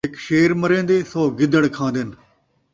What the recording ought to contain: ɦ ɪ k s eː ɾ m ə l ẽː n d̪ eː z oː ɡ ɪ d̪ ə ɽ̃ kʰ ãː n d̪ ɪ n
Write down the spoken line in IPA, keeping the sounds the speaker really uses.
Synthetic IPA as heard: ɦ ɪ k ʃ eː ɾ m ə ɾ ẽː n d̪ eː s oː ɡ ɪ d̪ ə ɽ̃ kʰ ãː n d̪ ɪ n